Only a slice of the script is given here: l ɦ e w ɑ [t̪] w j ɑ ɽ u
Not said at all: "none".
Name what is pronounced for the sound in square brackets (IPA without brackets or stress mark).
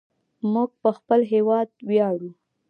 d̪